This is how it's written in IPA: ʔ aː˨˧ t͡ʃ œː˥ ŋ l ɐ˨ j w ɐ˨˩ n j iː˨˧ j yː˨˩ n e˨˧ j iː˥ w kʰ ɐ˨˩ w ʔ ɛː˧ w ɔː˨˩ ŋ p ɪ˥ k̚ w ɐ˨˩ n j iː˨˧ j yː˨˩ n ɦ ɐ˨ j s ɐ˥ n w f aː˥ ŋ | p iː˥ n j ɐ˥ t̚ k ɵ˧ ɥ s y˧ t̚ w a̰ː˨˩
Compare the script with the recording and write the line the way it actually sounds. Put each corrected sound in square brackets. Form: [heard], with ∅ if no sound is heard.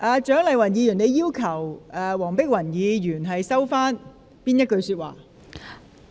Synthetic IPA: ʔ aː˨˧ t͡ʃ [œː˨˥] ŋ l ɐ˨ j w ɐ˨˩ n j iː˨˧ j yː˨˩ n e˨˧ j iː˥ w kʰ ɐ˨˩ w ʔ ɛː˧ w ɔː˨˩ ŋ p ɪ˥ k̚ w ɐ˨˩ n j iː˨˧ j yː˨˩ n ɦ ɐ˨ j s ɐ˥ [∅] w f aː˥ [n] | p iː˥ n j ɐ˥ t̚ k ɵ˧ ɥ s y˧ t̚ w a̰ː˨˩